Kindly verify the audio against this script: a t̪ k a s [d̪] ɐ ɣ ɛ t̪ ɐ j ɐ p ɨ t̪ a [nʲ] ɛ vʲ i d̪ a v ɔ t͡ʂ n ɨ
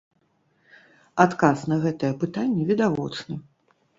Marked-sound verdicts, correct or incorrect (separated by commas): incorrect, incorrect